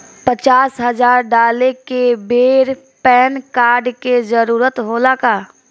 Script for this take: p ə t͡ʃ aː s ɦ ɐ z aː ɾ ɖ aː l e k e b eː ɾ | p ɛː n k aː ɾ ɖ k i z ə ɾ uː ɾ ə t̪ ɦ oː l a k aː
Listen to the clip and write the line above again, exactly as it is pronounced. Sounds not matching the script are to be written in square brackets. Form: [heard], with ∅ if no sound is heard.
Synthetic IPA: p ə t͡ʃ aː s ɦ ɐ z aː ɾ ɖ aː l e k e b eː ɾ | p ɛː n k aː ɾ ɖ k [e] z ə ɾ uː ɾ ə t̪ ɦ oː l a k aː